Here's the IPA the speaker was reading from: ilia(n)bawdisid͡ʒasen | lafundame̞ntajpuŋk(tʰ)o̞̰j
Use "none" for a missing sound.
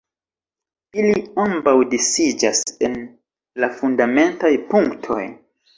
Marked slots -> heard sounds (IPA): m, tʰ

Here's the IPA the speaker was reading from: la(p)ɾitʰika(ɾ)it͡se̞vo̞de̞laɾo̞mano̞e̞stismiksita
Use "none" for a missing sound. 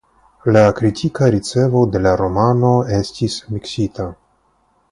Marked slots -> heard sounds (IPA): k, ɾ

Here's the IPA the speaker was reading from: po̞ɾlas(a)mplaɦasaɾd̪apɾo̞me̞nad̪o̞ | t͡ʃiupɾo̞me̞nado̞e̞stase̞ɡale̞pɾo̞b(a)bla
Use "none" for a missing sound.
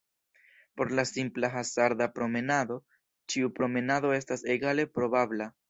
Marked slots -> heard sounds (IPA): i, a

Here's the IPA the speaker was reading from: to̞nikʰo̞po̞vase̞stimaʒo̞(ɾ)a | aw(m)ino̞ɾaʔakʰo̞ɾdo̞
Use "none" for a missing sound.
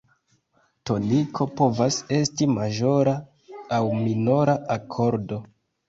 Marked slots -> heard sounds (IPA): ɾ, m

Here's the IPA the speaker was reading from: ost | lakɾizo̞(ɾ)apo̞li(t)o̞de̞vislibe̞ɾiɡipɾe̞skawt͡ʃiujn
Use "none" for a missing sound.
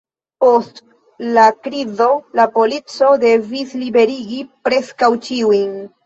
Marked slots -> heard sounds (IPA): l, t͡s

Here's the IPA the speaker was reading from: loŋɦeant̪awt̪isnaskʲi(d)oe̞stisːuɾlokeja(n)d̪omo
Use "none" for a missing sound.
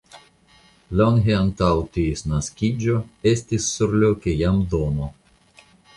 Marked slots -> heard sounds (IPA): d͡ʒ, m

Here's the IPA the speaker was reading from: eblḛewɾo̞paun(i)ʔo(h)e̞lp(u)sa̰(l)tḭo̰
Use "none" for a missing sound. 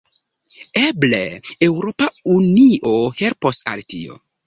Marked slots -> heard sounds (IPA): i, h, o, l

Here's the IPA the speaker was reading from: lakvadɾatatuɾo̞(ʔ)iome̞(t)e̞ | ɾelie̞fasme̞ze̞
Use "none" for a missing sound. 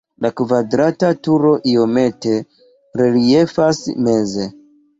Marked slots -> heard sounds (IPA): ʔ, t

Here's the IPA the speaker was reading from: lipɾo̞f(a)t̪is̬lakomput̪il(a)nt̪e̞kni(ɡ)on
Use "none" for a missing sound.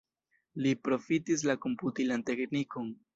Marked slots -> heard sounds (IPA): i, a, k

